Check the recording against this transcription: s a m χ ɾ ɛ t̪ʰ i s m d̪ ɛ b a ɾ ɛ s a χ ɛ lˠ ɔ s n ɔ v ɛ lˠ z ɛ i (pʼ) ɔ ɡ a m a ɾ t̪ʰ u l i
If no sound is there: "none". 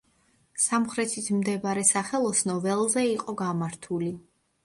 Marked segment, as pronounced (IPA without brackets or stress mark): qʼ